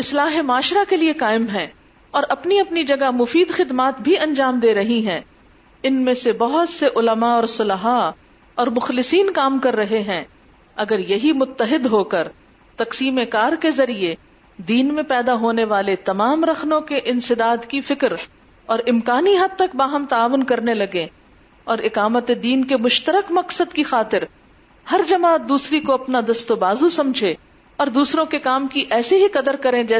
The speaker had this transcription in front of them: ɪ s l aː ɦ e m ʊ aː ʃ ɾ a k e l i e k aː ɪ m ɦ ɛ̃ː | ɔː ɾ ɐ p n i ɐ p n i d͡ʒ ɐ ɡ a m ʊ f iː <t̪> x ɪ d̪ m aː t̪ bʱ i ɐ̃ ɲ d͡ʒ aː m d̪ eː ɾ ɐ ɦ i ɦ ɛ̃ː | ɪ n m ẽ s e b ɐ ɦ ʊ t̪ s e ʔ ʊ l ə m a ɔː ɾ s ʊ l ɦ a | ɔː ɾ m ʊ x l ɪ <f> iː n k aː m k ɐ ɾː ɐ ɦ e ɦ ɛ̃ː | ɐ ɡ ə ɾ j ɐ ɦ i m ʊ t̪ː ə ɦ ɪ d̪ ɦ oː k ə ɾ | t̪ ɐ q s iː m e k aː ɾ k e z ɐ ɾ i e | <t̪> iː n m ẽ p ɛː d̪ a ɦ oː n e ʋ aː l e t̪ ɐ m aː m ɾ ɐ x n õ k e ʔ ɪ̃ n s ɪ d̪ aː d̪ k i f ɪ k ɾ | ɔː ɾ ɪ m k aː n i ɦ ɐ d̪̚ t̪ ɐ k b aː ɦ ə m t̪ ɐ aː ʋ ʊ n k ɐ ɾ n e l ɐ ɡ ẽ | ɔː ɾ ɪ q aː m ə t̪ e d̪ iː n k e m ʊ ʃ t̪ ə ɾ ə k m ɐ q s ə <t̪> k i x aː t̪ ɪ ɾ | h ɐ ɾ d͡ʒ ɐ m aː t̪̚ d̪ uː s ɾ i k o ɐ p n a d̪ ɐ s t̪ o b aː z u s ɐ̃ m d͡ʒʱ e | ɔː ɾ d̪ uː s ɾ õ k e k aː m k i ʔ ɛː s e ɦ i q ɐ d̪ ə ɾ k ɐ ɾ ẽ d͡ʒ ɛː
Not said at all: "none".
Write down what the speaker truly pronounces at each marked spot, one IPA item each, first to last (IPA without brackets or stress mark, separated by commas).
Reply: d̪, s, d̪, d̪